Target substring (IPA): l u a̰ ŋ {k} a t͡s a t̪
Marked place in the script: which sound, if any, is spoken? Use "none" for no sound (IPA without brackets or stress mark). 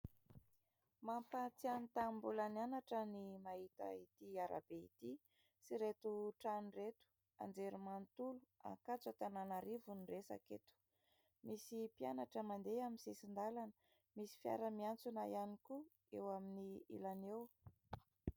k